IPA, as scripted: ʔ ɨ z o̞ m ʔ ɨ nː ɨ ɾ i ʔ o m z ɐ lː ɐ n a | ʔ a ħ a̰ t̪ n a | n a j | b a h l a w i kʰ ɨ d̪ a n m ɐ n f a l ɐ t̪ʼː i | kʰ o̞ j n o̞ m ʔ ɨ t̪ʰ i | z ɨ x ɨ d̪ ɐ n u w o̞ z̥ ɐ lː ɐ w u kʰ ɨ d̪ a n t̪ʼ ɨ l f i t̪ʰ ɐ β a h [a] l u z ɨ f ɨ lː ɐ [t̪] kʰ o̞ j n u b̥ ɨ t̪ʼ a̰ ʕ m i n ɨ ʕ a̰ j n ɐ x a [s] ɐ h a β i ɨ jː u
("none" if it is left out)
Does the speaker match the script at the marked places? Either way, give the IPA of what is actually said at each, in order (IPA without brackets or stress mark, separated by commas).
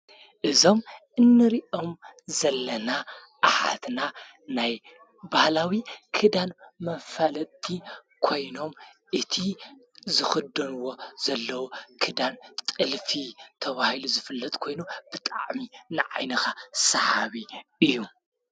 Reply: i, t̪ʼ, s